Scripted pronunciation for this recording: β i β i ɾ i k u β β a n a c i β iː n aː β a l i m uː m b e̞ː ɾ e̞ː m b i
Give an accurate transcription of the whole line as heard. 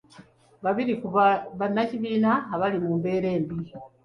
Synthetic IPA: β a β i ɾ i k u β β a n a c i β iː n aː β a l i m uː m b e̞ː ɾ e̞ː m b i